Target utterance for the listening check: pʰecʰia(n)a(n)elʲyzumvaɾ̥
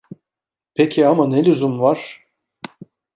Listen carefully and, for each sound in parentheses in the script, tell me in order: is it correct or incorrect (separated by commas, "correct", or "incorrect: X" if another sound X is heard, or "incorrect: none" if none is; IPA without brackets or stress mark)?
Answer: incorrect: m, correct